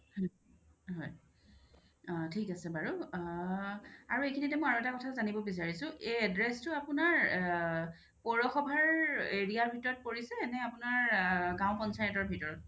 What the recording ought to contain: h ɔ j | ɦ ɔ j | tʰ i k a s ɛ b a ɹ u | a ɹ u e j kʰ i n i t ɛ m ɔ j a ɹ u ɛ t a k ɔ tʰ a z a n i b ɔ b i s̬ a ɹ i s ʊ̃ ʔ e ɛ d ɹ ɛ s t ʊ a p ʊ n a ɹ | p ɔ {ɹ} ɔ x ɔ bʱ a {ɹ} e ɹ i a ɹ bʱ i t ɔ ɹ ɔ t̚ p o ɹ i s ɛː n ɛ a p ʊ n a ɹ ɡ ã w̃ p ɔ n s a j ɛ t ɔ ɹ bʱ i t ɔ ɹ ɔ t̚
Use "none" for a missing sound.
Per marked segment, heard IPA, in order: ɹ, ɹ

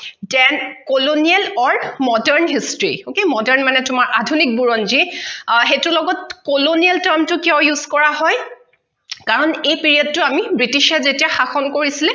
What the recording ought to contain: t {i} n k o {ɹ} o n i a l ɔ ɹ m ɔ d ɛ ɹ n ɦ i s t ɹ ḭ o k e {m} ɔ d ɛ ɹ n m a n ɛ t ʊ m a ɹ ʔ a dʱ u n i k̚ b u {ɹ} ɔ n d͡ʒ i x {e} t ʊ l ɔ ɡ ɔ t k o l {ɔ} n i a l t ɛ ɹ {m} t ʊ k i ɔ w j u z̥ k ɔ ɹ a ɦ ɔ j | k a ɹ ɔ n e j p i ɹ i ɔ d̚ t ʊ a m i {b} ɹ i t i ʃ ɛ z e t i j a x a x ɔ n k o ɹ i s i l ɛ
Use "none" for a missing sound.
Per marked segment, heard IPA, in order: ɛ, l, m, ɹ, e, o, m, b

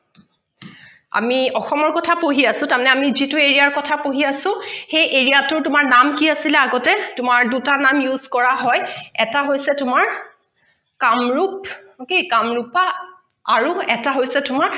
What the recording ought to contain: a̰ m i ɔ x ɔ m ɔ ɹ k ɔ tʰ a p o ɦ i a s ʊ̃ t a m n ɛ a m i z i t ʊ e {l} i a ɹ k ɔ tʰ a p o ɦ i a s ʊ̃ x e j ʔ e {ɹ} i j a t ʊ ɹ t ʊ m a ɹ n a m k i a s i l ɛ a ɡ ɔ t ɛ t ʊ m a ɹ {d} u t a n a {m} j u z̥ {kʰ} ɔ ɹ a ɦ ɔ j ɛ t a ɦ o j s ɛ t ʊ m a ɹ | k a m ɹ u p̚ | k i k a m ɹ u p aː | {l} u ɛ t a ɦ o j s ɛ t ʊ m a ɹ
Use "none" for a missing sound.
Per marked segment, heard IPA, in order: ɹ, ɹ, d, m, k, ɹ

